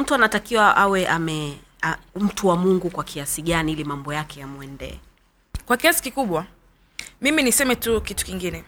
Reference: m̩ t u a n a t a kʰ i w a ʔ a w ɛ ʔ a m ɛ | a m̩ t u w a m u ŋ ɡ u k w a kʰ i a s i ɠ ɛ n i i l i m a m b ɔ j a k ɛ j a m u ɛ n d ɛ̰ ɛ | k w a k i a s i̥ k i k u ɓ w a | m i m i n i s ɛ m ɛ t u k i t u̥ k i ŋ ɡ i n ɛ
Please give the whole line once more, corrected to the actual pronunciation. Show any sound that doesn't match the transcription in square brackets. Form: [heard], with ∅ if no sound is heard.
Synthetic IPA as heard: m̩ t u a n a t a [k] i w a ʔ a w ɛ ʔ a m ɛ | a m̩ t u w a m u ŋ ɡ u k w a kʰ i a s i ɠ [a] n i i l i m a m b ɔ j a k ɛ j a m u ɛ n d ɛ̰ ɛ | k w a k i a s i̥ k i k u ɓ w a | m i m i n i s ɛ m ɛ t u k i t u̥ k i ŋ ɡ i n ɛ